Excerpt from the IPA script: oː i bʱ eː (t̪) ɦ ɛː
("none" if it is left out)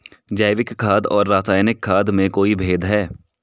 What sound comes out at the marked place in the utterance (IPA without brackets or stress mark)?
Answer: d̪